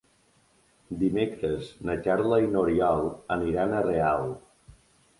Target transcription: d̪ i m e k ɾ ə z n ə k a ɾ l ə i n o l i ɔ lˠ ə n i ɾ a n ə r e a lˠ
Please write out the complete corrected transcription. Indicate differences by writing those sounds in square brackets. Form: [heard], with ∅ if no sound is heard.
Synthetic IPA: d̪ i m e k ɾ ə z n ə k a ɾ l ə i n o [ɾ] i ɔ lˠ ə n i ɾ a n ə r e a lˠ